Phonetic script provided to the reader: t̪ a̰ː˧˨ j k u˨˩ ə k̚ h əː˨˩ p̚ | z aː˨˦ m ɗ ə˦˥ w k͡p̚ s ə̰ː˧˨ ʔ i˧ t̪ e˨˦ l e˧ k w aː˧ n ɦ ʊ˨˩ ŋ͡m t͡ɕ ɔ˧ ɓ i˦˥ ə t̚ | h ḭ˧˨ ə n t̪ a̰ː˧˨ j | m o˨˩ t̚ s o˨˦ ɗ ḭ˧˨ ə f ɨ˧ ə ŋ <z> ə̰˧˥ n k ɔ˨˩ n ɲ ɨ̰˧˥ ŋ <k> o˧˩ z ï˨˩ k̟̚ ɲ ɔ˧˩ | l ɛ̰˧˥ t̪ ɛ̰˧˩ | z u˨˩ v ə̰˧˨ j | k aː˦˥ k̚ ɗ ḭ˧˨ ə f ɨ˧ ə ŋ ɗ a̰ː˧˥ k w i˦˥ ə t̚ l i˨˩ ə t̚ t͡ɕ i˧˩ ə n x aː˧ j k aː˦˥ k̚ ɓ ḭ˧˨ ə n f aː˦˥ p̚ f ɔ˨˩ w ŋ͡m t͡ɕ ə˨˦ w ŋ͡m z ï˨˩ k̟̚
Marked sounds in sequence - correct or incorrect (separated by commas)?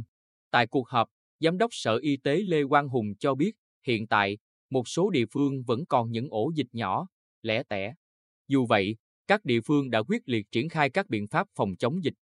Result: incorrect, incorrect